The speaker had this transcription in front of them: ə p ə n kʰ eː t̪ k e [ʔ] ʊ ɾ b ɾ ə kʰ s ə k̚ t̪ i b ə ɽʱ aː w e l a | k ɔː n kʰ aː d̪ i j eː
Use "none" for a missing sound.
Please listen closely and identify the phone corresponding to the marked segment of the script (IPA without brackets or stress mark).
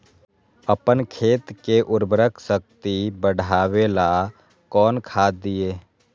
ʔ